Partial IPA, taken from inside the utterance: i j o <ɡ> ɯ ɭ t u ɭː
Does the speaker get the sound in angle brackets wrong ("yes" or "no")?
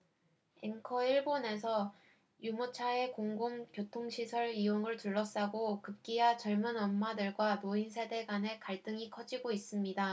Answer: yes